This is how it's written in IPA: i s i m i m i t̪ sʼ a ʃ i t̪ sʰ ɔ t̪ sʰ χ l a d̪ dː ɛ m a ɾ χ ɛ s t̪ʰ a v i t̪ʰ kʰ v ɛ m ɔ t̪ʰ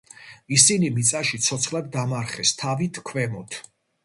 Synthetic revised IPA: i s i n i m i t̪ sʼ a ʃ i t̪ sʰ ɔ t̪ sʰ χ l a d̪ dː a m a ɾ χ ɛ s t̪ʰ a v i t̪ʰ kʰ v ɛ m ɔ t̪ʰ